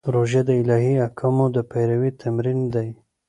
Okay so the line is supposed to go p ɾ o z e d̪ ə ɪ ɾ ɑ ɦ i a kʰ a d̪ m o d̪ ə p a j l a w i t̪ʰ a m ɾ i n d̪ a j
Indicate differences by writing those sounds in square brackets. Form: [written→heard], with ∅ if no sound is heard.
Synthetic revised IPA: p ɾ o [z→ʒ] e d̪ ə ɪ [ɾ→l] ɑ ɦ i a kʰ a [d̪→∅] m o d̪ ə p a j [l→ɾ] a w i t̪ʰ a m ɾ i n d̪ a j